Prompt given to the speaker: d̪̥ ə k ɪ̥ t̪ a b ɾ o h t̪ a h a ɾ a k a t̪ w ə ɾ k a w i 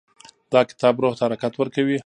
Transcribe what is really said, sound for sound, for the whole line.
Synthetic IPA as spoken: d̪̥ ɑ k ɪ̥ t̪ ɑ b ɾ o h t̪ a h a ɾ a k a t̪ w ə ɾ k a w i